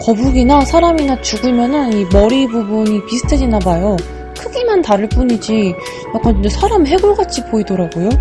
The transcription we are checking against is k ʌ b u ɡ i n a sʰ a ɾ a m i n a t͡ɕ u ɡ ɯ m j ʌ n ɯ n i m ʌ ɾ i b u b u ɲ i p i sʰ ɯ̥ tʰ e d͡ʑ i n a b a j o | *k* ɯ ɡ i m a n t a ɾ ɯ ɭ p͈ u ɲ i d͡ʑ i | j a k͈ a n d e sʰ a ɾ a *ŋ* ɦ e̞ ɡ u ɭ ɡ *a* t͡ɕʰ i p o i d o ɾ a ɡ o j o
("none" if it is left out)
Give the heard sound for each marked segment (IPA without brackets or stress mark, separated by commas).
kʰ, m, a